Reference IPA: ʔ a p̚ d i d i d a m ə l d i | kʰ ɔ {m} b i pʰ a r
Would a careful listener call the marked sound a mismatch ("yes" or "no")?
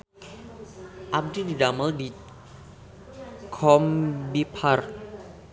no